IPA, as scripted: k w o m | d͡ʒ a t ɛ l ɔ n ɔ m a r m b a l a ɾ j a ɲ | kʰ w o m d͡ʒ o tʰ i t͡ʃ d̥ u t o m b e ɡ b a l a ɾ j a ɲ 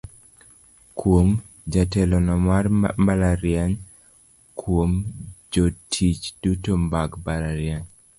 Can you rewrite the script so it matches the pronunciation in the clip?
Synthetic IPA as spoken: k w o m | d͡ʒ a t ɛ l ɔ n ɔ m a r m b a l a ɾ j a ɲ | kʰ w o m d͡ʒ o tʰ i t͡ʃ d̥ u t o m b a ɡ b a l a ɾ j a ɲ

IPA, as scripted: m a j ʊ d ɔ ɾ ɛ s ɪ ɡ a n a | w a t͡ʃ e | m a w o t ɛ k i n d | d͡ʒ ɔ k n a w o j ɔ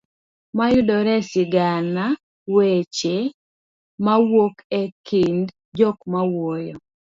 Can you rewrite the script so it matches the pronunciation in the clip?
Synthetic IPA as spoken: m a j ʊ d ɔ ɾ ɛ s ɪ ɡ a n a | w e t͡ʃ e | m a w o k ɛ k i n d | d͡ʒ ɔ k m a w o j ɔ

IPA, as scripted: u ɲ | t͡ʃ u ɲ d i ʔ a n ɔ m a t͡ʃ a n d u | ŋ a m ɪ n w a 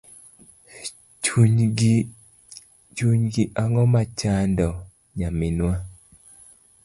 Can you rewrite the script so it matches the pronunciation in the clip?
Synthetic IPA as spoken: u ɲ | t͡ʃ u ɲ ɡ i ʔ a ŋ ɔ m a t͡ʃ a n d ɔ | ɲ a m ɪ n w a

